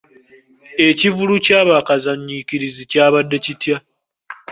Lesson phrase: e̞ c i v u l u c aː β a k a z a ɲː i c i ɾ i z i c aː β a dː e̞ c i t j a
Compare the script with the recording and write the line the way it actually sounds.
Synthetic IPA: e̞ c i v u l u c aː β a k a z a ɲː i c i ɾ i z i c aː β a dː e̞ c i t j a